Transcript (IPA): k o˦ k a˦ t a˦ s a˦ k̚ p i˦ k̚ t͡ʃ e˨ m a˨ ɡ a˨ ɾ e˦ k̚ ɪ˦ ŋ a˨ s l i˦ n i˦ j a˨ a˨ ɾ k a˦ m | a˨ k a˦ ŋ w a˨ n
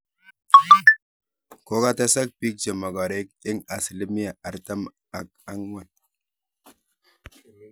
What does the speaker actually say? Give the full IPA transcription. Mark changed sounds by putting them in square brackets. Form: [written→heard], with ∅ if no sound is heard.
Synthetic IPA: k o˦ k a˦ t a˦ s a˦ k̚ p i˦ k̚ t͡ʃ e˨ m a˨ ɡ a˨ ɾ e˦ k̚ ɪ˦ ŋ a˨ s l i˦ [n→m] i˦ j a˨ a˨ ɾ [k→t] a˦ m | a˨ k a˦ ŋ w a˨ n

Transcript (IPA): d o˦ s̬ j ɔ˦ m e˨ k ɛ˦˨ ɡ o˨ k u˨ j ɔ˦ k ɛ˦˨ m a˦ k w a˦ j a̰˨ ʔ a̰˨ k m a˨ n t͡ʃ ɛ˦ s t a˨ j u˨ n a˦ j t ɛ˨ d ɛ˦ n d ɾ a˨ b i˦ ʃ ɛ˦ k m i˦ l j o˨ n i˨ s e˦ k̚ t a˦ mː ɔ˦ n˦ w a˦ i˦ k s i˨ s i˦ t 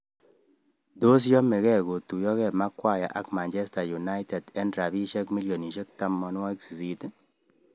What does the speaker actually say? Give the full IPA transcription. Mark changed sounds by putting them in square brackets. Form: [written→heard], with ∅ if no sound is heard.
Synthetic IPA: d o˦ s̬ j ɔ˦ m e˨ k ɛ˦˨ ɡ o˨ [k→t] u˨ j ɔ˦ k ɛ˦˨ m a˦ k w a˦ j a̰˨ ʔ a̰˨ k m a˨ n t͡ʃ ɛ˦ s t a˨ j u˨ n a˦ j t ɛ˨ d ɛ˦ n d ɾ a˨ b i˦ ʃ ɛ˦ k m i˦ l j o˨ n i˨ [s→ʃ] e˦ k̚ t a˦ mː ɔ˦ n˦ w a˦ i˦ k s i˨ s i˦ t

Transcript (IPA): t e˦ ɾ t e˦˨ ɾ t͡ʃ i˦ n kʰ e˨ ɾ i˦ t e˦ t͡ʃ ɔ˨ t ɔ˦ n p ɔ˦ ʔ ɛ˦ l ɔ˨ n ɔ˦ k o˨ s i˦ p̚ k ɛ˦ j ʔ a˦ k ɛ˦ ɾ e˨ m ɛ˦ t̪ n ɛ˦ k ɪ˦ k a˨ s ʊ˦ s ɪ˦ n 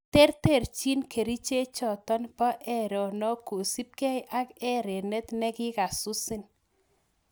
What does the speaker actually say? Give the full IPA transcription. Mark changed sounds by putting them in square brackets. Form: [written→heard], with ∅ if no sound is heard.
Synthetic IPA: t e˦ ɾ t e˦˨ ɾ t͡ʃ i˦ n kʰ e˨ ɾ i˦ [t→t͡ʃ] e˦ t͡ʃ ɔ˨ t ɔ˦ n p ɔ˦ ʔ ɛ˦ [l→ɾ] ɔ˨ n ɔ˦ k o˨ s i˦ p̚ k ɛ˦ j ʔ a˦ k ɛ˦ ɾ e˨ [m→n] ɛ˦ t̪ n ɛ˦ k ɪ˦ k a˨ s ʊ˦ s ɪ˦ n

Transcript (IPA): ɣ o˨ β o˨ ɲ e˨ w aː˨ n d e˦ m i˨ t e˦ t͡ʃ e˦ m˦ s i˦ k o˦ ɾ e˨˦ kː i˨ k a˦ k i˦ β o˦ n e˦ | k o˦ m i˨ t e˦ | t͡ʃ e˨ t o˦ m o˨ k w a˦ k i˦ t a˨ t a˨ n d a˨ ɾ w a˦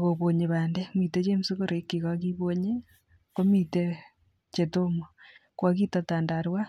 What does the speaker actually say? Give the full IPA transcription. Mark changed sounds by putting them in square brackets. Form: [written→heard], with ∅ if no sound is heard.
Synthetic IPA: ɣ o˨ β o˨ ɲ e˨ [w→β] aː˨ n d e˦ m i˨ t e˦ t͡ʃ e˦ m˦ s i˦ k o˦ ɾ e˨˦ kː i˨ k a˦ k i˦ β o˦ [n→ɲ] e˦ | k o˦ m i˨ t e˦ | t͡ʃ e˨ t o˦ m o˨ k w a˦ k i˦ t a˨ t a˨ n d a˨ ɾ w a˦

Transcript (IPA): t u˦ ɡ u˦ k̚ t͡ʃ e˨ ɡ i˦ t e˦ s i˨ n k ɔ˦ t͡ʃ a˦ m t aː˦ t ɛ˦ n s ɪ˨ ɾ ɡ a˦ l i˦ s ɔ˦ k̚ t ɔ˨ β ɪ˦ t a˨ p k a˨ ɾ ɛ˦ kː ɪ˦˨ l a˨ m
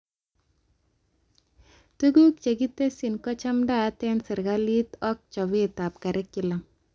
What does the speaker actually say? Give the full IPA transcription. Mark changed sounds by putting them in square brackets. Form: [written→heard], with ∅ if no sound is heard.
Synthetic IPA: t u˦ ɡ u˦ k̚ t͡ʃ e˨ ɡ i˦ t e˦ s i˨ n k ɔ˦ t͡ʃ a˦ m [t→d] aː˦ t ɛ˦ n s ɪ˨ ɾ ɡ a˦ l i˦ [s→t] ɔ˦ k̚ [t→t͡ʃ] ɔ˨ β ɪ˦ t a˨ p k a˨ ɾ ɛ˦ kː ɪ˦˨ l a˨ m

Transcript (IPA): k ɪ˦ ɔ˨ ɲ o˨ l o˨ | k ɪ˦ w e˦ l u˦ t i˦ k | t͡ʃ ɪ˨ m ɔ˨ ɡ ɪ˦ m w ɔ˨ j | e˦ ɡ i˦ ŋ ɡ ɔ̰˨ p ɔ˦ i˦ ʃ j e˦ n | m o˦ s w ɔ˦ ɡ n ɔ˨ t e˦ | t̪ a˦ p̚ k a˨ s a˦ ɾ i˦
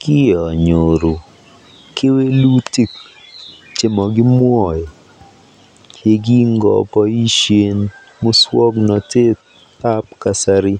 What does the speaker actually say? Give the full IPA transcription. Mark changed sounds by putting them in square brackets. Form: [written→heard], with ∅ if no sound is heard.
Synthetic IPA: k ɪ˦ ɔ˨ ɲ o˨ [l→ɾ] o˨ | k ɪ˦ w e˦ l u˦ t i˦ k | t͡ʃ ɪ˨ m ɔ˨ ɡ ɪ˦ m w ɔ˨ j | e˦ ɡ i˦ ŋ ɡ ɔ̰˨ p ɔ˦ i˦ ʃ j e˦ n | m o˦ s w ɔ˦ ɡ n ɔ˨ t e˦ | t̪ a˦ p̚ k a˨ s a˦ ɾ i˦

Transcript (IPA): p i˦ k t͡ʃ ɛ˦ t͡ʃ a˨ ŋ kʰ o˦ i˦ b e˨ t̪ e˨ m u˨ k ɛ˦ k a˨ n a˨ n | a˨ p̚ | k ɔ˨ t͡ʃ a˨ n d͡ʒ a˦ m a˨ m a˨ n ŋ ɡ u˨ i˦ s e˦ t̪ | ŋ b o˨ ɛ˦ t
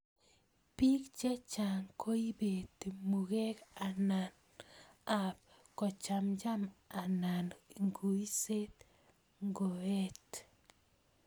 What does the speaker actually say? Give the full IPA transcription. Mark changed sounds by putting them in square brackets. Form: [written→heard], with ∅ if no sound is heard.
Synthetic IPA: p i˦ k t͡ʃ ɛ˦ t͡ʃ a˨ ŋ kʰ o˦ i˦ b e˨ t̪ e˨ m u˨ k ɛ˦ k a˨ n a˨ n | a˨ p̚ | k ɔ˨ t͡ʃ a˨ [n→m] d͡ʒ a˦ m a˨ [m→n] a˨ n ŋ ɡ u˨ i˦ s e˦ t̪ | ŋ [b→ɡ] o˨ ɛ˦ t

